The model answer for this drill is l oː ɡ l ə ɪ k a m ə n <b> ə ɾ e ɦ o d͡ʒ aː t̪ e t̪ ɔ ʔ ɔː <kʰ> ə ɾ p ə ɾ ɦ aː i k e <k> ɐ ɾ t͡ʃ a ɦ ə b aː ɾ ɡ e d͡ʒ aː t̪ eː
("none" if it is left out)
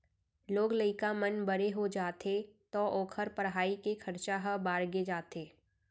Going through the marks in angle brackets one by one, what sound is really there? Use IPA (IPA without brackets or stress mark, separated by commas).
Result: b, kʰ, kʰ